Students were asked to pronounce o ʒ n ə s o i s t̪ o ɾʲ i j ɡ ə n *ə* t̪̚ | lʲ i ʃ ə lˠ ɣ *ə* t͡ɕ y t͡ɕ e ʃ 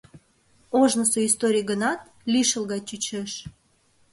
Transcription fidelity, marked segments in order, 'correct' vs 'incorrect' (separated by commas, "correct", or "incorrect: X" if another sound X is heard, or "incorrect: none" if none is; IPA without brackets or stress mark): incorrect: ɑ, incorrect: ɑ